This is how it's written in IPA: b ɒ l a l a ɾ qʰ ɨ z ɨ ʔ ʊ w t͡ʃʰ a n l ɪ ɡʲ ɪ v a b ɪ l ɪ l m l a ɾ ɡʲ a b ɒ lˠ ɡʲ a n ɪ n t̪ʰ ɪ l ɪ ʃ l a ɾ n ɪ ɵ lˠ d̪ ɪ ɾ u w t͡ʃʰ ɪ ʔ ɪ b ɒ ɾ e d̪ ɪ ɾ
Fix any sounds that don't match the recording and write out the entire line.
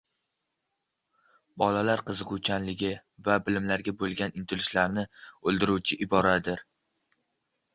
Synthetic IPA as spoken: b ɒ l a l a ɾ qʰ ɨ z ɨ q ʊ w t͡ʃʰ a n l ɪ ɡʲ ɪ v a b ɪ l ɪ m l a ɾ ɡʲ a b o lˠ ɡʲ a n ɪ n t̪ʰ ɪ l ɪ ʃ l a ɾ n ɪ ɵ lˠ d̪ ɪ ɾ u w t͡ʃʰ ɪ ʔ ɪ b ɒ ɾ a d̪ ɪ ɾ

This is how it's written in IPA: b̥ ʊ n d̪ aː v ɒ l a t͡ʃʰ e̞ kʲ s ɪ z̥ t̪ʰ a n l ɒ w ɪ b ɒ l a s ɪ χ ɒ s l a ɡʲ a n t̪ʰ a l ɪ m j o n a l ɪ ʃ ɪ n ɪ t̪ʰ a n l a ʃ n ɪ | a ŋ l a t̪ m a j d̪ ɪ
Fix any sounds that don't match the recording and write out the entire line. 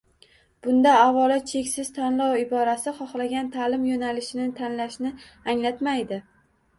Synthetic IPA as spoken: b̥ ʊ n d̪ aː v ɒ l a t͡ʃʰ e̞ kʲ s ɪ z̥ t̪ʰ a n l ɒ w ɪ b ɒ ɾ a s ɪ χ ɒ χ l a ɡʲ a n t̪ʰ a l ɪ m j o n a l ɪ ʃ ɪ n ɪ t̪ʰ a n l a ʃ n ɪ | a ŋ l a t̪ m a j d̪ ɪ

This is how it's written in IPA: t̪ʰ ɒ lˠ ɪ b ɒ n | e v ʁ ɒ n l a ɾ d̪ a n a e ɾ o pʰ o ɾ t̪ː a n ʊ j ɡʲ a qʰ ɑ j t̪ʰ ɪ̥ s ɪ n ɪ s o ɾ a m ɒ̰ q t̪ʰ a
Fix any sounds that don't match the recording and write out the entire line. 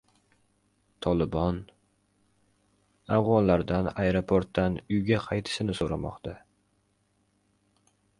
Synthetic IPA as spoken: t̪ʰ ɒ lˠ ɪ b ɒ n | a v ʁ ɒ n l a ɾ d̪ a n a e ɾ o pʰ o ɾ t̪ː a n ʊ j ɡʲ a qʰ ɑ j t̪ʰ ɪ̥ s ɪ n ɪ s o ɾ a m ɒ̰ q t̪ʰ a

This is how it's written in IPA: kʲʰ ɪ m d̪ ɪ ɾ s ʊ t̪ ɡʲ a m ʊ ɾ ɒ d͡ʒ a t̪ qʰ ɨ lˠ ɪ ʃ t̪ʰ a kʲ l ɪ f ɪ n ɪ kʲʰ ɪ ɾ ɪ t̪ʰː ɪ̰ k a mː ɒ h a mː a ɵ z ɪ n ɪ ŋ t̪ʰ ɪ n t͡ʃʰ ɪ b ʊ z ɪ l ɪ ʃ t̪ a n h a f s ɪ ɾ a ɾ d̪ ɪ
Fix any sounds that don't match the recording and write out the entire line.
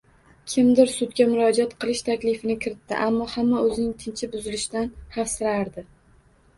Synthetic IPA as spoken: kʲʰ ɪ m d̪ ɪ ɾ s ʊ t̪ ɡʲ a m ʊ ɾ ɒ d͡ʒ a t̪ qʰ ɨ lˠ ɪ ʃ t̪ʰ a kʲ l ɪ f ɪ n ɪ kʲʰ ɪ ɾ ɪ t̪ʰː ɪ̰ ʔ a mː ɒ h a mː a ɵ z ɪ n ɪ ŋ t̪ʰ ɪ n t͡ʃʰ ɪ b ʊ z ɪ l ɪ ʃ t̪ a n h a f s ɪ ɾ a ɾ d̪ ɪ

